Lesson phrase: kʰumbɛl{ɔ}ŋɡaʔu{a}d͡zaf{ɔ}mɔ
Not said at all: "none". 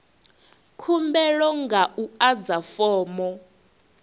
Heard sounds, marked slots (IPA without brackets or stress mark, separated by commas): ɔ, a, ɔː